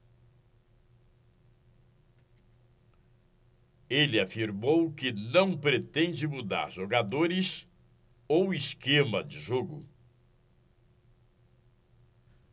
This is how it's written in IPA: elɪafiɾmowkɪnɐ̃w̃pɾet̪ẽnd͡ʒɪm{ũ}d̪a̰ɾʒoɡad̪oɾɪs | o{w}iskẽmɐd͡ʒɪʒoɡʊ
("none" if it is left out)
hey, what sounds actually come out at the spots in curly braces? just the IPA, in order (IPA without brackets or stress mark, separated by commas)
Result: u, w